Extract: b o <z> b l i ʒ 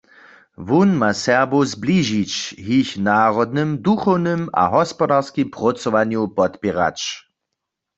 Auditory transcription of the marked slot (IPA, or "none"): z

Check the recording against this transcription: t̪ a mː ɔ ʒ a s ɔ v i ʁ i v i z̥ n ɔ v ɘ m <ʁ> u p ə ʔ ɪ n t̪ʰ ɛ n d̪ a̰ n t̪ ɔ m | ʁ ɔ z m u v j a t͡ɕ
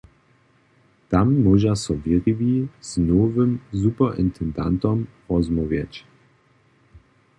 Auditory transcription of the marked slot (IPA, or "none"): z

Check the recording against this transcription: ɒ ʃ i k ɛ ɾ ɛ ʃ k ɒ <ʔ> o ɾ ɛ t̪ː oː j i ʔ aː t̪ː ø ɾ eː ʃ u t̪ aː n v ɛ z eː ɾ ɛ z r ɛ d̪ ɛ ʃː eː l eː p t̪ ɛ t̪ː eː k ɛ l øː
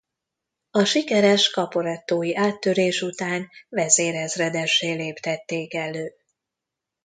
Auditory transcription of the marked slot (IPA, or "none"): p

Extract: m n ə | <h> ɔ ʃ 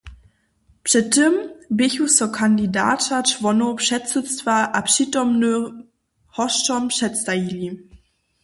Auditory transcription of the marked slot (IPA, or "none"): h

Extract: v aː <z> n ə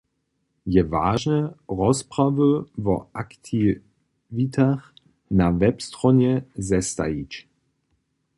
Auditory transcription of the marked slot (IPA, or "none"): ʒ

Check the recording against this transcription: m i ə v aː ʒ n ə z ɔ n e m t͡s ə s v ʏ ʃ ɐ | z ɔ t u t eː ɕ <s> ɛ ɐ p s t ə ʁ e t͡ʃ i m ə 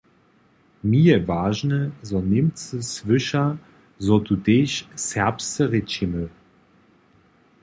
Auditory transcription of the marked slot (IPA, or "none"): s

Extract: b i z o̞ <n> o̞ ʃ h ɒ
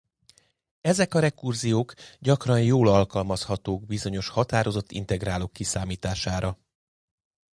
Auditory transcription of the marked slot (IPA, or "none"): ɲ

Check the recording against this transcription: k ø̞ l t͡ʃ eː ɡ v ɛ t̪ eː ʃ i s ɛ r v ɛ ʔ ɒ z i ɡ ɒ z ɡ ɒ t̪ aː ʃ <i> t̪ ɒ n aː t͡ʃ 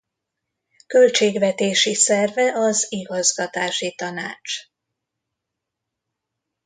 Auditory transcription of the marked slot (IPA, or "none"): i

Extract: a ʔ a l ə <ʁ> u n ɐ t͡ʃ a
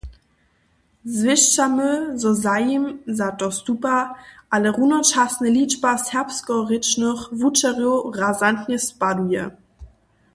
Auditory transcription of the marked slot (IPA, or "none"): ʁ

